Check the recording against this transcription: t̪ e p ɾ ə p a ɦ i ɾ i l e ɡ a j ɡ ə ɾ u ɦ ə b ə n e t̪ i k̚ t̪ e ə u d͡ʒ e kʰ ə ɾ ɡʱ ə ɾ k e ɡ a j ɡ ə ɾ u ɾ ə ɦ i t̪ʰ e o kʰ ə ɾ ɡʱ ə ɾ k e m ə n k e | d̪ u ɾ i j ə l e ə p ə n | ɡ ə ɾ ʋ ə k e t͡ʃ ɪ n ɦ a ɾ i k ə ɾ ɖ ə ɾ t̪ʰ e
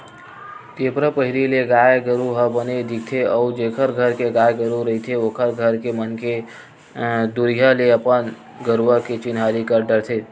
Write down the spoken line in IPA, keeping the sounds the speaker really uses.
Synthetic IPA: t̪ e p ɾ ə p ə ɦ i ɾ i l e ɡ a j ɡ ə ɾ u ɦ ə b ə n e d̪ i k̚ t̪ʰ e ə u d͡ʒ e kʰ ə ɾ ɡʱ ə ɾ k e ɡ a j ɡ ə ɾ u ɾ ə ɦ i t̪ʰ e o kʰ ə ɾ ɡʱ ə ɾ k e m ə n k e | d̪ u ɾ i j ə l e ə p ə n | ɡ ə ɾ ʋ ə k e t͡ʃ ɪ n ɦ a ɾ i k ə ɾ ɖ ə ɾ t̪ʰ e